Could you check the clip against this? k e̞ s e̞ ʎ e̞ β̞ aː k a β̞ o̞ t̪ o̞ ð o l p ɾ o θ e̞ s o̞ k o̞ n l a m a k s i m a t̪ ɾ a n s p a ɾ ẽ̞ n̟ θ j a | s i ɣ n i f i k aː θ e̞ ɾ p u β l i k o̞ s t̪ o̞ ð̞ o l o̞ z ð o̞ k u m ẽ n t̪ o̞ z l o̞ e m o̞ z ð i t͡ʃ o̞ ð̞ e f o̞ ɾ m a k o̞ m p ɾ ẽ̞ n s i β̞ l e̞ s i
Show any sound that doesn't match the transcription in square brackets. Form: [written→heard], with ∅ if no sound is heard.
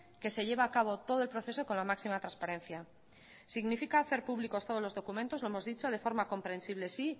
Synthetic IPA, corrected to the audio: k e̞ s e̞ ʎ e̞ β̞ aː k a β̞ o̞ t̪ o̞ ð o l p ɾ o θ e̞ s o̞ k o̞ n l a m a k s i m a t̪ ɾ a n s p a ɾ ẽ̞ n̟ θ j a | s i ɣ n i f i k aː θ e̞ ɾ p u β l i k o̞ s t̪ o̞ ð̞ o l o̞ z ð o̞ k u m ẽ n t̪ o̞ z l o̞ e m o̞ z ð i t͡ʃ o̞ ð̞ e f o̞ ɾ m a k o̞ m p ɾ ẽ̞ n s i β̞ l e̞ s i